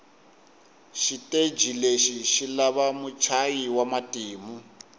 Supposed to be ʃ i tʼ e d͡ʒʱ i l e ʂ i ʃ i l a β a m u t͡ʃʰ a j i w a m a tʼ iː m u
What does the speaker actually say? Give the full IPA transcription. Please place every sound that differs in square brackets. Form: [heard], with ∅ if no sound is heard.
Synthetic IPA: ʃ i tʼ e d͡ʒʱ i l e [ʃ] i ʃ i l a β a m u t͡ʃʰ a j i w a m a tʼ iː m u